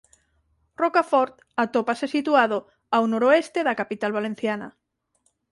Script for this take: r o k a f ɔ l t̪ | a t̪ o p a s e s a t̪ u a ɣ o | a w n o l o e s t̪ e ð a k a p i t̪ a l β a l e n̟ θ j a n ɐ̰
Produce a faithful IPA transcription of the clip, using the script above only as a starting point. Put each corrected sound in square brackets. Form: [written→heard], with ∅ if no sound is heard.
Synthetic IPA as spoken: r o k a f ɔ [l→ɾ] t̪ | a t̪ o p a s e s [a→i] t̪ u a [ɣ→ð] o | a w n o [l→ɾ] o e s t̪ e ð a k a p i t̪ a l β a l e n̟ θ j a n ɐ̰

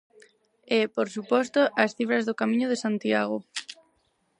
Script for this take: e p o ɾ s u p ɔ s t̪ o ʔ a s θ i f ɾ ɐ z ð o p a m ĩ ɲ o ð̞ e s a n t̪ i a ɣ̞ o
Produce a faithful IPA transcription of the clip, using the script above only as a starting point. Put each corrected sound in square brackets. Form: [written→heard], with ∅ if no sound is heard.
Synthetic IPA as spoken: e p o ɾ s u p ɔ s t̪ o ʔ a s θ i f ɾ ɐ z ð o [p→k] a m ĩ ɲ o ð̞ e s a n t̪ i a ɣ̞ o

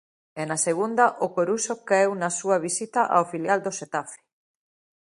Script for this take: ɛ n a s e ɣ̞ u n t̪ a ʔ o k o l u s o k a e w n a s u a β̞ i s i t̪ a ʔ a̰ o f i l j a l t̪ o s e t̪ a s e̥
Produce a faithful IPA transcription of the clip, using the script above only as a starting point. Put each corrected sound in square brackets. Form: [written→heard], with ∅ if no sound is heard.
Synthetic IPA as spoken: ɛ n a s e ɣ̞ u n [t̪→d̪] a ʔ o k o [l→ɾ] u s o k a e w n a s u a β̞ i s i t̪ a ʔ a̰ o f i l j a l [t̪→d̪] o s e t̪ a [s→f] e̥

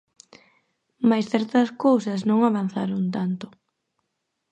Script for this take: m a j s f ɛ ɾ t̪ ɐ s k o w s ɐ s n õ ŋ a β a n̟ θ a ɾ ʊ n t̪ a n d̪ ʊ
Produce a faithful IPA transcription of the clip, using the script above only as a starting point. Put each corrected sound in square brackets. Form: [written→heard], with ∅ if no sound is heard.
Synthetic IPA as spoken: m a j s [f→θ] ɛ ɾ t̪ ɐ s k o w s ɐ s n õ ŋ a β a n̟ θ a ɾ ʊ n t̪ a n [d̪→t̪] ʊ

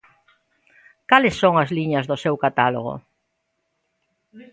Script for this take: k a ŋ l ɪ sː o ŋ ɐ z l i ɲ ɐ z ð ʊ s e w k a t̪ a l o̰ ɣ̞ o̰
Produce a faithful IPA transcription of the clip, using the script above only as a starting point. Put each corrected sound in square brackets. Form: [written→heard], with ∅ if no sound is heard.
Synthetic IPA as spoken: k a [ŋ→∅] l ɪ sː o ŋ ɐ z l i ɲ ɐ z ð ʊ s e w k a t̪ a l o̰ ɣ̞ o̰

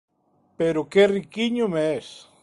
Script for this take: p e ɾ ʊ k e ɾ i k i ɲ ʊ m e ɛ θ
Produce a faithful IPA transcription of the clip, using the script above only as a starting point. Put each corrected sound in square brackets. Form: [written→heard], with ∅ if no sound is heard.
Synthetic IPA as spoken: p e ɾ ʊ k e [ɾ→r] i k i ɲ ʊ m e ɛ [θ→s]

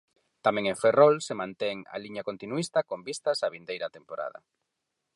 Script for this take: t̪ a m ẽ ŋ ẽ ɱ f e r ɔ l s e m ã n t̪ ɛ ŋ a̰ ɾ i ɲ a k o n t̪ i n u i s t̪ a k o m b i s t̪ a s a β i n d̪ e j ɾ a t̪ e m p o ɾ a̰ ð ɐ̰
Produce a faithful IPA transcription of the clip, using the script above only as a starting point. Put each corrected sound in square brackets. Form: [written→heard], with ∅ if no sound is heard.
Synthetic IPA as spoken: t̪ a m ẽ ŋ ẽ ɱ f e r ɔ l s e m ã n t̪ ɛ ŋ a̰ [ɾ→l] i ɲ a k o n t̪ i n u i s t̪ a k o m b i s t̪ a s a β i n d̪ e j ɾ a t̪ e m p o ɾ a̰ ð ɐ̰

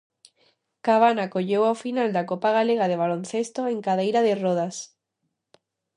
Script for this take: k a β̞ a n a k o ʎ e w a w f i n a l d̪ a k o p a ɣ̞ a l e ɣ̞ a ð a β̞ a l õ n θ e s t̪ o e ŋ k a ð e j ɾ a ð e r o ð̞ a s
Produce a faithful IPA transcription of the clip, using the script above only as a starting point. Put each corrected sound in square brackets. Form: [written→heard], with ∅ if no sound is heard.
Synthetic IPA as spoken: k a β̞ a n a k o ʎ e w a w f i n a l d̪ a k o p a ɣ̞ a l e ɣ̞ a ð [a→e] β̞ a l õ n θ e s t̪ o e ŋ k a ð e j ɾ a ð e r o ð̞ a s

